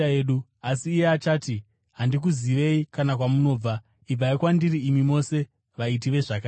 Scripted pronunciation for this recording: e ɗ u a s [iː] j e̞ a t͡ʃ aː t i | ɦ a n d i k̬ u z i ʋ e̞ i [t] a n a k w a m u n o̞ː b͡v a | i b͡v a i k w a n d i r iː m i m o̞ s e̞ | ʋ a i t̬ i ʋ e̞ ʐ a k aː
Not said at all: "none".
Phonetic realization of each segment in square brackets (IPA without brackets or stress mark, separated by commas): iː, k